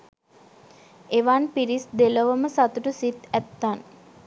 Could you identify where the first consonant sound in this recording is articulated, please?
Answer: labial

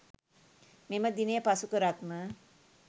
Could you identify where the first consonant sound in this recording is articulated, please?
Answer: labial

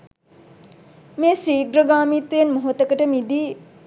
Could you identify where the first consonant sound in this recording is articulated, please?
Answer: labial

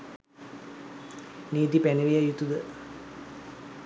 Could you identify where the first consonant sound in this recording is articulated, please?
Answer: alveolar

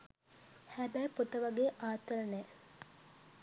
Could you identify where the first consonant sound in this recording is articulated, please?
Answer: glottal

